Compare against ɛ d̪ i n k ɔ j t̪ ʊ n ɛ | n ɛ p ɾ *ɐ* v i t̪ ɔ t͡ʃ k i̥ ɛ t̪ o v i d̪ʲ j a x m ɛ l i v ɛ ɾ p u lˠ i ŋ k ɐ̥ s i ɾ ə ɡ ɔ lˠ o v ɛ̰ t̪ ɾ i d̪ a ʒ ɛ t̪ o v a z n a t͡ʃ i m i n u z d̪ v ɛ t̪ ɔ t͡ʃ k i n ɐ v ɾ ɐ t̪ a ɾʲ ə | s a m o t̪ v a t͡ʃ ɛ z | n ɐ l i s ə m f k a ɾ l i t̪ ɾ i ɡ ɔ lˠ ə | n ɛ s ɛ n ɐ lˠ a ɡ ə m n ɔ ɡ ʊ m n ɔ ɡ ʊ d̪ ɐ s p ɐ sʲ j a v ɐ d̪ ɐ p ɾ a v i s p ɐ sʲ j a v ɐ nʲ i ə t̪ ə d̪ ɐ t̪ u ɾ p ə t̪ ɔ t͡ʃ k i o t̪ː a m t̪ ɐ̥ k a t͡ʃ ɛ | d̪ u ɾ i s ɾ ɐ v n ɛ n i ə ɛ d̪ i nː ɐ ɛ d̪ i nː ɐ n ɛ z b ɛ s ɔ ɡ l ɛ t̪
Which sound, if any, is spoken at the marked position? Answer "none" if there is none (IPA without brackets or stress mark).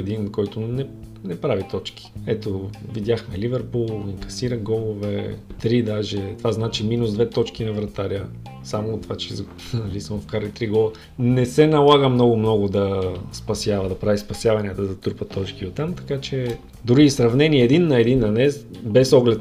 a